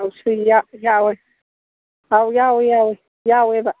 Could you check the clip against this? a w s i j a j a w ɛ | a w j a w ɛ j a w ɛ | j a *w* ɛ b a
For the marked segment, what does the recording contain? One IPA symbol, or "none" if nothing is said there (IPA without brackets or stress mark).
w